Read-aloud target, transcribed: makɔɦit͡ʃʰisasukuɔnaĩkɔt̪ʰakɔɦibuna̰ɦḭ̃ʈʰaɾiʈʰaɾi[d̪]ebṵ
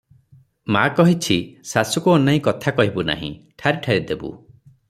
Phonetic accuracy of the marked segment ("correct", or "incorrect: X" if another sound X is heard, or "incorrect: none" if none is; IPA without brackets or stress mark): correct